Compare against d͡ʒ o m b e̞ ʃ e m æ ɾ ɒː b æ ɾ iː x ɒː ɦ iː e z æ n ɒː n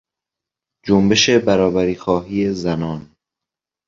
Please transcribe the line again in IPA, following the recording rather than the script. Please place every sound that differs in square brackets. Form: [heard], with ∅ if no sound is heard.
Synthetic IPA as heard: d͡ʒ o m b e̞ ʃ e [b] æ ɾ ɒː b æ ɾ iː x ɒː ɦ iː e z æ n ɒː n